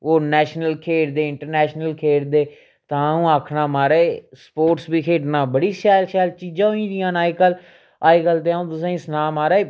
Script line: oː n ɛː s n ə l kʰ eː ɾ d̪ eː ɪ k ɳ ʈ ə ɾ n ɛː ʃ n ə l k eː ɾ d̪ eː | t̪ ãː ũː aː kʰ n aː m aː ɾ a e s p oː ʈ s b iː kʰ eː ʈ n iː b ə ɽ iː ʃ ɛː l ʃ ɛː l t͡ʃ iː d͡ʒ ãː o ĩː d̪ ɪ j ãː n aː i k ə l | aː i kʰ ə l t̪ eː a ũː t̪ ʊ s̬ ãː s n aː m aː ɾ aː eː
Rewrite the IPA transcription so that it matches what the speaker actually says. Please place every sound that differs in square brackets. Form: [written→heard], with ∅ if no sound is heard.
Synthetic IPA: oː n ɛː [s→ʃ] n ə l kʰ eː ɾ d̪ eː ɪ [k→∅] ɳ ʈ ə ɾ n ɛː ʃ n ə l [k→kʰ] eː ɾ d̪ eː | t̪ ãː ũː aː kʰ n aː m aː ɾ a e s p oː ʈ s b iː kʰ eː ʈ n [iː→aː] b ə ɽ iː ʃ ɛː l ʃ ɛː l t͡ʃ iː d͡ʒ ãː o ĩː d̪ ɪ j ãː n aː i k ə l | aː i [kʰ→k] ə l t̪ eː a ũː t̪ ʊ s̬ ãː s n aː m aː ɾ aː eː